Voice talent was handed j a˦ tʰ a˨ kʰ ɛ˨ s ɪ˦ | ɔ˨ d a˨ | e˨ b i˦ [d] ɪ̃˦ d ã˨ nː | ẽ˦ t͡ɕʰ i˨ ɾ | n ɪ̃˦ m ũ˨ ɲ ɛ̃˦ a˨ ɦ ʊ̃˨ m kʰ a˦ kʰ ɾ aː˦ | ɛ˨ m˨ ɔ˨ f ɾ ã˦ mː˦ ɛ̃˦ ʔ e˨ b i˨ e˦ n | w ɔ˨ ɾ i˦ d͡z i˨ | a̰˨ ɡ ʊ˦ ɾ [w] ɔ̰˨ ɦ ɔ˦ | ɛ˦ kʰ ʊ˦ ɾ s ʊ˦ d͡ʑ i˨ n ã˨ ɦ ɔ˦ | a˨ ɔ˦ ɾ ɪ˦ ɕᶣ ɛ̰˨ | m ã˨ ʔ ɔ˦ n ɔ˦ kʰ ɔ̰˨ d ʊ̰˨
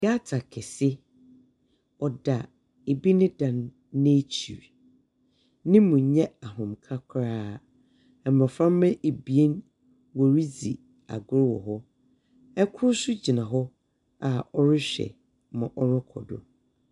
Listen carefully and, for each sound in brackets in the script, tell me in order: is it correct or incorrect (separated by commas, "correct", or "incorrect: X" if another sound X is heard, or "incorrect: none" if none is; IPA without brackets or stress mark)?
incorrect: n, correct